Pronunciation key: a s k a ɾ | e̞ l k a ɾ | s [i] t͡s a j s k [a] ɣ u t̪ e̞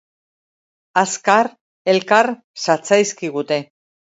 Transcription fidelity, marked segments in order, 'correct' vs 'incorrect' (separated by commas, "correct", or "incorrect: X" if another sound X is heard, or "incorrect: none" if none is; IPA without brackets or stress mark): incorrect: a, incorrect: i